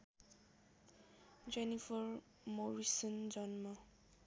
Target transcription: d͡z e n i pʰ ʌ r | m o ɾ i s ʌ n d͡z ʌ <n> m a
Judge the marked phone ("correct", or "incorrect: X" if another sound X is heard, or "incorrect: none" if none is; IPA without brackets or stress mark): correct